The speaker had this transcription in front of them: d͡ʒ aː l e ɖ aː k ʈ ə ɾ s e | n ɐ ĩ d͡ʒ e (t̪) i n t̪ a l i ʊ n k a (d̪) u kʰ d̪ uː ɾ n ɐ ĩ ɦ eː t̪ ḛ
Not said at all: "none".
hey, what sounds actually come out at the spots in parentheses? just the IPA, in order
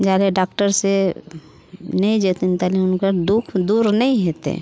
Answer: t̪, d̪

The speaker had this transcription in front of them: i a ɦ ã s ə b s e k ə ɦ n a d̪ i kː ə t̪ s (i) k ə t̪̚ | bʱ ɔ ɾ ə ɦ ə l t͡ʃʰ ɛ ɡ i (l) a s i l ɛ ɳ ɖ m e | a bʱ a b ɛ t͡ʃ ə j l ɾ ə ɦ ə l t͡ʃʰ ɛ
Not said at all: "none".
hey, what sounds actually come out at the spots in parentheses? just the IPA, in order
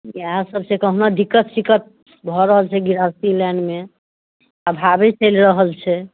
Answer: i, ɾ

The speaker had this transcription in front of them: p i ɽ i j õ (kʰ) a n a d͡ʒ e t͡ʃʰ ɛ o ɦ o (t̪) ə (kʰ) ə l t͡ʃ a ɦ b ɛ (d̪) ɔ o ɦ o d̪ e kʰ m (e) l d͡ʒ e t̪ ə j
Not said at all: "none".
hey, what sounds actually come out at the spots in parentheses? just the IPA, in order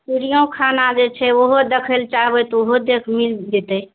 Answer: kʰ, d̪, kʰ, t̪, i

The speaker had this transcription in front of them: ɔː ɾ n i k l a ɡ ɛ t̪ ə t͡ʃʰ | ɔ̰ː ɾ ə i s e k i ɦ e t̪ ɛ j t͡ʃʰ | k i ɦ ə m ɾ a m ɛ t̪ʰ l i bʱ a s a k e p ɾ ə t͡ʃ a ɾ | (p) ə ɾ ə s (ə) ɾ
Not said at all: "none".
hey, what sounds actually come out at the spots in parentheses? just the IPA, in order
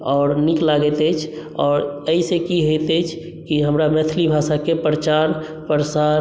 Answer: p, a

